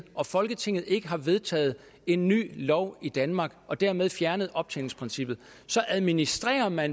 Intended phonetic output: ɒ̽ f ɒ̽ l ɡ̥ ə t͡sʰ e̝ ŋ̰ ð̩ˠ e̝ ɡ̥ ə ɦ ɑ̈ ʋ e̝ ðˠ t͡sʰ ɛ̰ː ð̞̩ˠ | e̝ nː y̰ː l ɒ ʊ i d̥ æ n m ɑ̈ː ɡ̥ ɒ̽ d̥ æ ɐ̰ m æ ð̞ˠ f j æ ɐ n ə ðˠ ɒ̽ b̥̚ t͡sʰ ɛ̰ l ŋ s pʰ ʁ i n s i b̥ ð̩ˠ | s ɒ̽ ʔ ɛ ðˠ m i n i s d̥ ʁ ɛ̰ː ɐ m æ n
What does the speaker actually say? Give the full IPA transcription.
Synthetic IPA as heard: ɒ̽ f ɒ̽ l ɡ̥ ə t͡sʰ e̝ ŋ̰ ð̩ˠ e̝ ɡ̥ ə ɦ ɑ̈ ʋ e̝ ðˠ t͡sʰ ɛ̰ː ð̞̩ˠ | e̝ nː y̰ː l ɒ ʊ i d̥ æ n m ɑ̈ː ɡ̥ ɒ̽ d̥ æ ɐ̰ m e ð̞ˠ f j æ ɐ n ə ðˠ ɒ̽ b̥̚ t͡sʰ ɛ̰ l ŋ s pʰ ʁ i n s i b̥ ð̩ˠ | s ɒ̽ ʔ æ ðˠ m i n i s d̥ ʁ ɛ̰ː ɐ m æ n